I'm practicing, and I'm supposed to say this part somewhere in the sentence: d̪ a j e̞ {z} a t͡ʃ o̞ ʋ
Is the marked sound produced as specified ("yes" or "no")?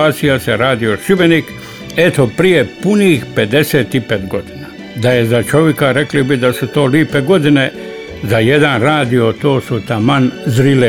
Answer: yes